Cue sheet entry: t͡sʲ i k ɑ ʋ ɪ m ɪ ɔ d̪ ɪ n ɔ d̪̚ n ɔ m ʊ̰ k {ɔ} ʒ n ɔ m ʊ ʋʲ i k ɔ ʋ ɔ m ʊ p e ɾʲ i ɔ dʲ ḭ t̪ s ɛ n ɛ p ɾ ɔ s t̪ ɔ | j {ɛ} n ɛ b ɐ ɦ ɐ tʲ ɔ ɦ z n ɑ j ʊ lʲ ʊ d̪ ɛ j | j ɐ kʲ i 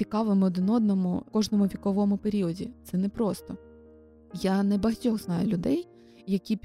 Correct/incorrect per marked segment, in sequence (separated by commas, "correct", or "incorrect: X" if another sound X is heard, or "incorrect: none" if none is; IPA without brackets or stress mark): correct, incorrect: a